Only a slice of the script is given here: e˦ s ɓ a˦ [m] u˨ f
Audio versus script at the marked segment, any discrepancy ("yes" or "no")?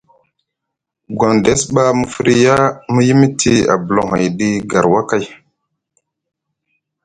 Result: no